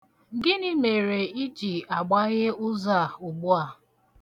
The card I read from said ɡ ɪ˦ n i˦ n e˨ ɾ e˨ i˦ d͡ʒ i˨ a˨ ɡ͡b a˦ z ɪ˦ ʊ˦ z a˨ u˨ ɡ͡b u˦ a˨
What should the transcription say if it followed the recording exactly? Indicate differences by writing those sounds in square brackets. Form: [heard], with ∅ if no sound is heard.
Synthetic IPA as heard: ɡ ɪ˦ n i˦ [m] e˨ ɾ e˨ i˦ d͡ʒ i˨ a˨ ɡ͡b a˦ [ɣ] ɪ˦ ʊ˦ z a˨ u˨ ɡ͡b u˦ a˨